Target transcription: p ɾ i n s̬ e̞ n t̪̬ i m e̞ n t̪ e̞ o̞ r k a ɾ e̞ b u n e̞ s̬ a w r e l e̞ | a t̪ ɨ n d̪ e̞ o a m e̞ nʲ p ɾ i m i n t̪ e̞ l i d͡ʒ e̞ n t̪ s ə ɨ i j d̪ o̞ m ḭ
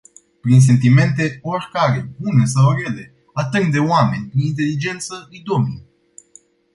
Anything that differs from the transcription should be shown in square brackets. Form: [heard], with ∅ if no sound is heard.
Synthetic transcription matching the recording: p ɾ i n s̬ e̞ n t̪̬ i m e̞ n t̪ e̞ o̞ r k a ɾ e̞ b u n e̞ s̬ a w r e l e̞ | a t̪ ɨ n d̪ e̞ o a m e̞ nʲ p ɾ i [n] i n t̪ e̞ l i d͡ʒ e̞ n t̪ s ə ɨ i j d̪ o̞ m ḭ